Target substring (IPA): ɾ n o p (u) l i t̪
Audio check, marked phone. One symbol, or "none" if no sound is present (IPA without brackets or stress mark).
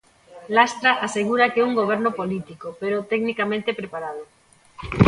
o